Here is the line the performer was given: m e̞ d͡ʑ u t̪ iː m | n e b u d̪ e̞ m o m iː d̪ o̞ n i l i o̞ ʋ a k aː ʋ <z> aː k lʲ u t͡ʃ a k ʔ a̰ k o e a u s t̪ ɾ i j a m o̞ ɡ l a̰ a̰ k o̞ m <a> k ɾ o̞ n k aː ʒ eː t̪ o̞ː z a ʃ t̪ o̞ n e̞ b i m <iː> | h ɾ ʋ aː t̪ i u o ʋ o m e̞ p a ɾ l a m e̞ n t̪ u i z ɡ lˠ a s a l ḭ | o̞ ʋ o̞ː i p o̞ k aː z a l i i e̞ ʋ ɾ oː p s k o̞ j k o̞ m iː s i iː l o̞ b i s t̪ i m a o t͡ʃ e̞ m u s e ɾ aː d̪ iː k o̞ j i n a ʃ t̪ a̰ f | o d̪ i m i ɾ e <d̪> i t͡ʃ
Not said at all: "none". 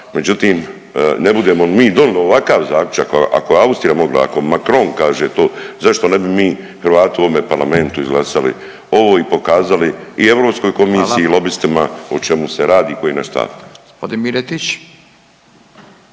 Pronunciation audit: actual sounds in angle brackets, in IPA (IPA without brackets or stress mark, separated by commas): z, a, iː, t̪